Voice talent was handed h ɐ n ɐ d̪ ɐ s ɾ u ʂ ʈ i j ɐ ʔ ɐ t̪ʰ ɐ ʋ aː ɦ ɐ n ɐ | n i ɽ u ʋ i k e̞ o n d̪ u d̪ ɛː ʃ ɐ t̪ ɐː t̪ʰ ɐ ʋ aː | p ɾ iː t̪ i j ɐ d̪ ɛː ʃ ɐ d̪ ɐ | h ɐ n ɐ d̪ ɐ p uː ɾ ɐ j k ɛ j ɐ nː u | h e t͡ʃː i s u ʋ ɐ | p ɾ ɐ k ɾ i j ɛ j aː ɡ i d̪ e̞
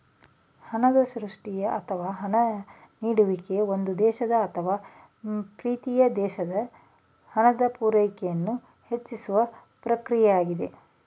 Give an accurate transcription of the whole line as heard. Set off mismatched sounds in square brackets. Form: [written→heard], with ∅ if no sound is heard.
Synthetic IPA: h ɐ n ɐ d̪ ɐ s ɾ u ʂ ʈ i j ɐ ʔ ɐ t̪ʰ ɐ ʋ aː ɦ ɐ n ɐ | n [i→iː] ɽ u ʋ i k e̞ o n d̪ u d̪ ɛː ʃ ɐ [t̪→d̪] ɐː t̪ʰ ɐ ʋ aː | p ɾ iː t̪ i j ɐ d̪ ɛː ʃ ɐ d̪ ɐ | h ɐ n ɐ d̪ ɐ p uː ɾ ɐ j k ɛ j ɐ nː u | h e t͡ʃː i s u ʋ ɐ | p ɾ ɐ k ɾ i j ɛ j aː ɡ i d̪ e̞